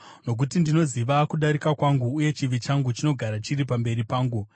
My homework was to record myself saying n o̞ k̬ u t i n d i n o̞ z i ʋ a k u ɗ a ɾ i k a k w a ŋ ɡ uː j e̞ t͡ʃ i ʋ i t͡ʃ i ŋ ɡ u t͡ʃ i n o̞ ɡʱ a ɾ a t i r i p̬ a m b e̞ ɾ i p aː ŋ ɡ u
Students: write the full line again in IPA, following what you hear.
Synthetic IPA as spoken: n o̞ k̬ u t i n d i n o̞ z i ʋ a k u ɗ a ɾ i k a k w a ŋ ɡ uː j e̞ t͡ʃ i ʋ i t͡ʃ a ŋ ɡ u t͡ʃ i n o̞ ɡʱ a ɾ a t͡ʃ i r i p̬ a m b e̞ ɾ i p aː ŋ ɡ u